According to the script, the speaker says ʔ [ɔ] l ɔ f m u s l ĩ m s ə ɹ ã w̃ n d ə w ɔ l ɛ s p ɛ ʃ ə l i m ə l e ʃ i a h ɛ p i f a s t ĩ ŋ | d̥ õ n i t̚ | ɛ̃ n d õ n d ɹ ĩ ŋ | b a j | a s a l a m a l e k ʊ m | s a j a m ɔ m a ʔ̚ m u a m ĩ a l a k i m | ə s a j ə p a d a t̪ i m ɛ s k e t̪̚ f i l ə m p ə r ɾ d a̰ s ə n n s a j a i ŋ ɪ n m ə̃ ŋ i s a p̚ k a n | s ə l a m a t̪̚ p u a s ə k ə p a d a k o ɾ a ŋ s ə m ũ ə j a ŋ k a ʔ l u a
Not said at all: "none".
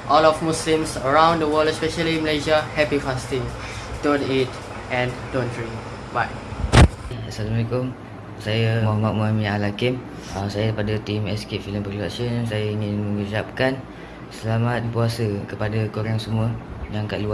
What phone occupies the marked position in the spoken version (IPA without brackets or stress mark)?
ɔ